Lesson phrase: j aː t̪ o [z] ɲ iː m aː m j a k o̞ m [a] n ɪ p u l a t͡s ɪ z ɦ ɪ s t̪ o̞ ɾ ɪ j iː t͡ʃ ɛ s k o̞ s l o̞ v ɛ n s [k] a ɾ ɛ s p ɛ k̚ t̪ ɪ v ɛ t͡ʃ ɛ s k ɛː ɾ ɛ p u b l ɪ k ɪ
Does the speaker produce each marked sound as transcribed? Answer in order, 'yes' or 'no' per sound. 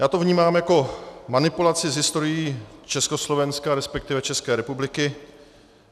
no, yes, yes

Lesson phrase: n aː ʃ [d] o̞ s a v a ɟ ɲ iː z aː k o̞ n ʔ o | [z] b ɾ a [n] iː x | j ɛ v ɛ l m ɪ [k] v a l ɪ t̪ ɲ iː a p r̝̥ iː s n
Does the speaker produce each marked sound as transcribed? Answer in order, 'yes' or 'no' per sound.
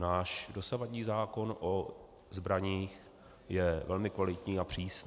yes, yes, no, yes

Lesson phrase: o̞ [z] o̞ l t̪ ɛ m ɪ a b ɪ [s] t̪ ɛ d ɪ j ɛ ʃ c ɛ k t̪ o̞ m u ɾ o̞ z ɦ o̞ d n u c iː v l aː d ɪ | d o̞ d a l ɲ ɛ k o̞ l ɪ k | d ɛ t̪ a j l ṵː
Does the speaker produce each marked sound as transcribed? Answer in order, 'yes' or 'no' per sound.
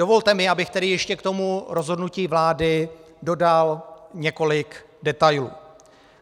no, no

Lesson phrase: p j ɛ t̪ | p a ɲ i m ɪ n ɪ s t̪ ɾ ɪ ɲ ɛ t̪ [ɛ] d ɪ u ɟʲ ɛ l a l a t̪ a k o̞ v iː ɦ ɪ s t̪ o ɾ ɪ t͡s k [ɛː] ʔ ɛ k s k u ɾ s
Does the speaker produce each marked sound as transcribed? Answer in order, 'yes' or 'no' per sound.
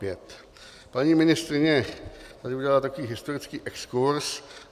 no, no

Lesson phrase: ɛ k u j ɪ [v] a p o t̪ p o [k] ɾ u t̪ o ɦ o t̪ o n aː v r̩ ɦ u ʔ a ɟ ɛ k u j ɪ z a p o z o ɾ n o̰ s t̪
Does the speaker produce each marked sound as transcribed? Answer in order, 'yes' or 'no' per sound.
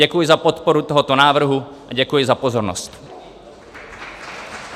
no, no

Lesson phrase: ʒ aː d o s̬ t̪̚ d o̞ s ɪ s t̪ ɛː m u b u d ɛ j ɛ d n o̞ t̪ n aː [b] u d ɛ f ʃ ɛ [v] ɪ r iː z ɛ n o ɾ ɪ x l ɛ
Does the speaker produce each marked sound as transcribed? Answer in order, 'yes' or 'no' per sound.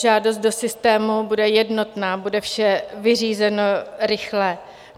yes, yes

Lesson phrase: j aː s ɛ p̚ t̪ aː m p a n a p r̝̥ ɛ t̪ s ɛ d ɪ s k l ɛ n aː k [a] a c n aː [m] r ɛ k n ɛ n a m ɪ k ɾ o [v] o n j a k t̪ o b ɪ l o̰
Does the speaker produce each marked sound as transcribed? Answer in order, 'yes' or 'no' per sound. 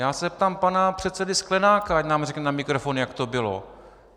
yes, yes, no

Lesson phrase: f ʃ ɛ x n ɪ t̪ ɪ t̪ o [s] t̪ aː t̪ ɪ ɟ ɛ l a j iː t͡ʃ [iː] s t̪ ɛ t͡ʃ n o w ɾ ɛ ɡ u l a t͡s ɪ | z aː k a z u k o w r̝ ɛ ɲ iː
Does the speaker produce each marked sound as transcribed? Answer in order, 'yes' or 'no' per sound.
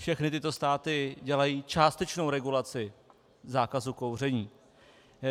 yes, no

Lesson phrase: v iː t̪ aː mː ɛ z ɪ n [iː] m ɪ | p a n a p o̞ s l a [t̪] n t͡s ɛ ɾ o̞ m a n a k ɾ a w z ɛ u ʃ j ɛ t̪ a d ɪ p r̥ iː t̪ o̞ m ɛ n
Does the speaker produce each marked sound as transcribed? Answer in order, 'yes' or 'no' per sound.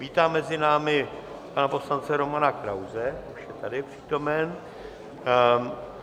no, no

